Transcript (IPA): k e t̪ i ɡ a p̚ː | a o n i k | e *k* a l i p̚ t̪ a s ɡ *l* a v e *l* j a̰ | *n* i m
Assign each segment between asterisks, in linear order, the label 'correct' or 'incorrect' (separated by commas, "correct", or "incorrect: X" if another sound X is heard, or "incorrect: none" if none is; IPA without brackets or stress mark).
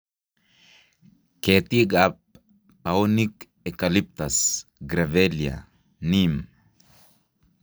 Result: correct, incorrect: ɾ, correct, correct